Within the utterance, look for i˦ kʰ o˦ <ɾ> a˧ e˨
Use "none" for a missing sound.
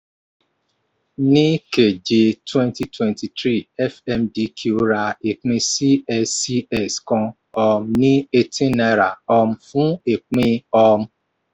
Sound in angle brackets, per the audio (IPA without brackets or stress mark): ɾ